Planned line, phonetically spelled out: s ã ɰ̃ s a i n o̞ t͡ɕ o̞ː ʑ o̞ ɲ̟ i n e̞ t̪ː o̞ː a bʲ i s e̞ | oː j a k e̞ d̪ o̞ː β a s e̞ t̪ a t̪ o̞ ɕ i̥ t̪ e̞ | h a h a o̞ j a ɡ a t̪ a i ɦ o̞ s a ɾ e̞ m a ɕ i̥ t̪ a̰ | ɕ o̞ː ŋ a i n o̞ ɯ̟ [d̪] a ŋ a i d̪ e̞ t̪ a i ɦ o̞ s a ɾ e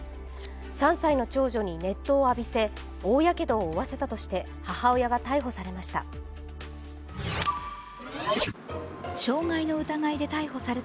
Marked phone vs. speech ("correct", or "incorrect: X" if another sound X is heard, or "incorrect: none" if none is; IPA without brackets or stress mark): incorrect: t̪